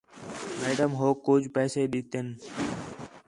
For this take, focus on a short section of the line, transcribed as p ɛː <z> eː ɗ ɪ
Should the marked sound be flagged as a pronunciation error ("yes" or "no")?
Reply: yes